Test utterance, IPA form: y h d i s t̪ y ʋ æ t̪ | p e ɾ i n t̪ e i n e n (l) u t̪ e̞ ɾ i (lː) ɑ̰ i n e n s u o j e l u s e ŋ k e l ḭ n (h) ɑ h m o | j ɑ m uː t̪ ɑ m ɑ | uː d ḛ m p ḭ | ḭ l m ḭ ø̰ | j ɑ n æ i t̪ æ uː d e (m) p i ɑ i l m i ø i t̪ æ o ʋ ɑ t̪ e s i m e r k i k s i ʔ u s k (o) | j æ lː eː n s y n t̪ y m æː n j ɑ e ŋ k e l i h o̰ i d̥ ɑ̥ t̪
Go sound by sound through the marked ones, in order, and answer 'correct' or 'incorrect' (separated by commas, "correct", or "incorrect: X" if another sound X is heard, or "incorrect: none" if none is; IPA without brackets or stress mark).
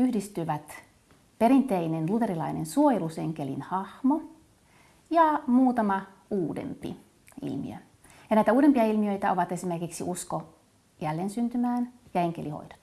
correct, incorrect: l, correct, correct, correct